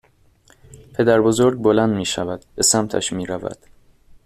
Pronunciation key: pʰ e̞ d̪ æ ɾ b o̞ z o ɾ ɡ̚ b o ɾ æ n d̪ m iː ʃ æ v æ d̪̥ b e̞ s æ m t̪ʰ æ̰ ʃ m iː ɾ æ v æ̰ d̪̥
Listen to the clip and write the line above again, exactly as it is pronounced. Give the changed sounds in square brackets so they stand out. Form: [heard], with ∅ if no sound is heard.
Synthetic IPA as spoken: pʰ e̞ d̪ æ ɾ b o̞ z o ɾ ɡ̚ b o [l] æ n d̪ m iː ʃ æ v æ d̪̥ b e̞ s æ m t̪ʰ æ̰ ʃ m iː ɾ æ v æ̰ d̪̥